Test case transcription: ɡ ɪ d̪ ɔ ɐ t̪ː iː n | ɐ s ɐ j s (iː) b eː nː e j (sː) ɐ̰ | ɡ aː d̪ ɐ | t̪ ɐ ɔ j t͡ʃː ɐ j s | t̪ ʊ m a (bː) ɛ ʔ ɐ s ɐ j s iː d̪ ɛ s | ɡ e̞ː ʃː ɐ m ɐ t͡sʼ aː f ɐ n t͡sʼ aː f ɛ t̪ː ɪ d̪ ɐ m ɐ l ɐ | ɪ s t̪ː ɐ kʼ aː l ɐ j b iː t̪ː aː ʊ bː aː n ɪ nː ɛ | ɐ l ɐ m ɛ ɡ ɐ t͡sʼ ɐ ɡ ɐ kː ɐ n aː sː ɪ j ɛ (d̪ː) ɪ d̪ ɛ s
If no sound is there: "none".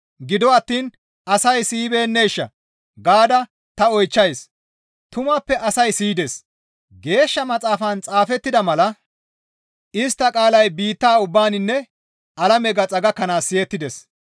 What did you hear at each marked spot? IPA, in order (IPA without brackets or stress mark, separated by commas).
iː, ʃː, pː, t̪ː